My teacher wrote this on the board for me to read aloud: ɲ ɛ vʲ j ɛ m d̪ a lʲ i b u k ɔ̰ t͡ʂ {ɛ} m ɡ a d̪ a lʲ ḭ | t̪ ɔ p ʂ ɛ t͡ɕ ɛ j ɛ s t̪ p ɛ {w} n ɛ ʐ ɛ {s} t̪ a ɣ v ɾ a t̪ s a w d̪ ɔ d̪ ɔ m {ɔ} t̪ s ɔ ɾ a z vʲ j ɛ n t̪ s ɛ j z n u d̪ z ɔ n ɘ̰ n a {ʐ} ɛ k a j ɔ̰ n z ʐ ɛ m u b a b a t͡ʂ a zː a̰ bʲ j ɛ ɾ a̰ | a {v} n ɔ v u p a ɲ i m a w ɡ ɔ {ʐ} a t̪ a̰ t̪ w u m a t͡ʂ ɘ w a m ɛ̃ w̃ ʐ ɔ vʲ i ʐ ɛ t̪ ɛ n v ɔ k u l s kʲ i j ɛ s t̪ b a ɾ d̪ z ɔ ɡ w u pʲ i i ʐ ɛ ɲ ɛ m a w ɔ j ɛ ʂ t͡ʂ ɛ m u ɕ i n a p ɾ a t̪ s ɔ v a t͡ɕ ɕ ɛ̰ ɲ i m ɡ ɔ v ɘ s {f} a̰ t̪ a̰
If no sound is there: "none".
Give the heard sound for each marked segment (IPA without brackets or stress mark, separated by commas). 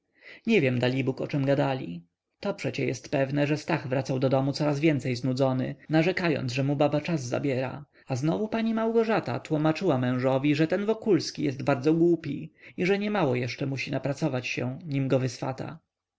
ɛ, v, s, u, ʐ, z, ʐ, f